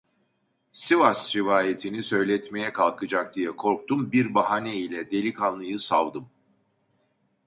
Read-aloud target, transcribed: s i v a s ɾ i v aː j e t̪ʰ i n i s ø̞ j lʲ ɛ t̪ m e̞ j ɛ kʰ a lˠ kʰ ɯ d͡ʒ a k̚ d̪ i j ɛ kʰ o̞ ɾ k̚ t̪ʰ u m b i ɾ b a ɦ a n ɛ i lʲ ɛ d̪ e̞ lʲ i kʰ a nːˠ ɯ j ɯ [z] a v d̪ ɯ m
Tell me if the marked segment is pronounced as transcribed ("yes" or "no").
no